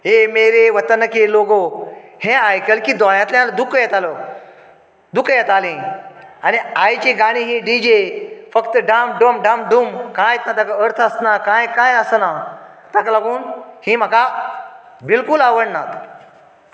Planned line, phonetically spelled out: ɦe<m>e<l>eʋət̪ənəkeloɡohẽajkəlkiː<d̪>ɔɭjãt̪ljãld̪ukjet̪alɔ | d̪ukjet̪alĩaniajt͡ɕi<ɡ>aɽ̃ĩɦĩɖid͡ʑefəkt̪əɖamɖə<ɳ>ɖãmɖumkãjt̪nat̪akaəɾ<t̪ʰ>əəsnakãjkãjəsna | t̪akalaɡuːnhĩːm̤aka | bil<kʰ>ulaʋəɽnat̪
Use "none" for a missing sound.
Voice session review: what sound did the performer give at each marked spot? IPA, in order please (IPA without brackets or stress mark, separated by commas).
m, ɾ, d̪, ɡ, m, t̪ʰ, k